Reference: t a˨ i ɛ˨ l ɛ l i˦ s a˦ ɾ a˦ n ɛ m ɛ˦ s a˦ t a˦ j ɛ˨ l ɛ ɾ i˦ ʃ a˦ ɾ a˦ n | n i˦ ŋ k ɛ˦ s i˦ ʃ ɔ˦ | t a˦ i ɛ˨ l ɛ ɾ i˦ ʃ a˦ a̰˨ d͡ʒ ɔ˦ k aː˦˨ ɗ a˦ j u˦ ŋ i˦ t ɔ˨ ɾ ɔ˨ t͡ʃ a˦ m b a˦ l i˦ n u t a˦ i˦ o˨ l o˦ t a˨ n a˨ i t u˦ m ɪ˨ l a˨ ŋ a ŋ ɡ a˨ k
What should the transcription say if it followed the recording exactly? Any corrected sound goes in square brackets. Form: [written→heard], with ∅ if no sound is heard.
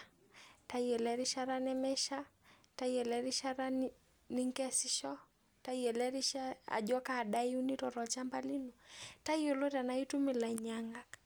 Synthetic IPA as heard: t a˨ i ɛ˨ l ɛ [l→ɾ] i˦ [s→ʃ] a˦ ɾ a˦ n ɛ m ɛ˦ [s→ʃ] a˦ t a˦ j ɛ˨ l ɛ ɾ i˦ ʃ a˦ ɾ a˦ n | n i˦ ŋ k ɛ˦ s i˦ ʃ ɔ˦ | t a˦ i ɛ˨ l ɛ ɾ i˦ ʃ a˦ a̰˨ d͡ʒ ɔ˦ k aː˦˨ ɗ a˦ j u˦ [ŋ→n] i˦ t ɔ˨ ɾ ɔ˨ t͡ʃ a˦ m b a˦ l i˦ n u t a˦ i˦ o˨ l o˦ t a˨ n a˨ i t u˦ m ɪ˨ l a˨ [ŋ→ɲ] a ŋ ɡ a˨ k